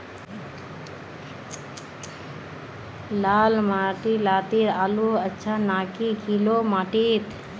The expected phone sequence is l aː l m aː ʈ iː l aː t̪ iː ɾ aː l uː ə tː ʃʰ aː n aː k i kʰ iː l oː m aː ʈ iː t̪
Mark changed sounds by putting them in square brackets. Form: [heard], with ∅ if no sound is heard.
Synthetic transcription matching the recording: l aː l m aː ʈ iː l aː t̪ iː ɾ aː l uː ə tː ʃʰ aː n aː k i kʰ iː l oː m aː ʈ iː t̪